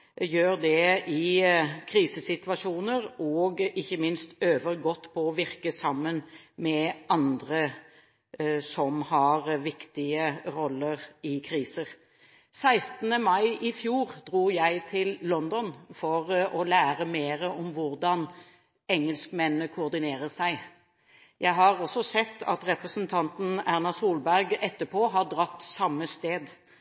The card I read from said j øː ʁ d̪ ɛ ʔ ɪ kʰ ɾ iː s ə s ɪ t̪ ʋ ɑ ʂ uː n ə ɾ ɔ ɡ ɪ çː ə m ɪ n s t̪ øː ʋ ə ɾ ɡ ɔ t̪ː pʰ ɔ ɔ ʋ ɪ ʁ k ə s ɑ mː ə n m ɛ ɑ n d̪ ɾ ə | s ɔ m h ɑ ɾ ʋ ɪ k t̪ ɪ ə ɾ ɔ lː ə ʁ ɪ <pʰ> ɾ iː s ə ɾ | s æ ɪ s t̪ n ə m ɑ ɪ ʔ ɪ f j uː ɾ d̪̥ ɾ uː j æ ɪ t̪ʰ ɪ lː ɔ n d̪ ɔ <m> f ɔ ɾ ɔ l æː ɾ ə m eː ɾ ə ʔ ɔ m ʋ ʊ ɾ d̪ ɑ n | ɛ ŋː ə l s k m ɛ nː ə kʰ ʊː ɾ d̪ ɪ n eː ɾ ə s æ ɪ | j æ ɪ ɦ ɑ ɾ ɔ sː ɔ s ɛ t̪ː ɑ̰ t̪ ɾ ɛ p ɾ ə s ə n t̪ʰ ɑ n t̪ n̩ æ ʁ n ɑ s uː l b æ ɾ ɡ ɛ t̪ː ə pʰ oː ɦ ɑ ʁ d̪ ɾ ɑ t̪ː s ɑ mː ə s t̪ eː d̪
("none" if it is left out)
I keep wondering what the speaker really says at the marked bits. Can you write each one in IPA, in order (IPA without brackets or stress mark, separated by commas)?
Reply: kʰ, n